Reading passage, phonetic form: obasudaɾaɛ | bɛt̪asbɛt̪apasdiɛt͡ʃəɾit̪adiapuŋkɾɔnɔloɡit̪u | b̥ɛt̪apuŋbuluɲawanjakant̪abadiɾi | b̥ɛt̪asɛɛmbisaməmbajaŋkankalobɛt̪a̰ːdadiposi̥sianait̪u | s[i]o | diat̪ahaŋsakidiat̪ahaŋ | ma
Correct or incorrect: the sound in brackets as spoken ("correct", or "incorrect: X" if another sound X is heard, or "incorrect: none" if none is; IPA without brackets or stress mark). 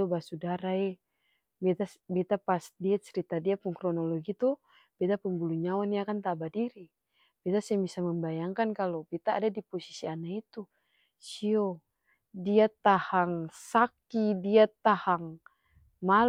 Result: correct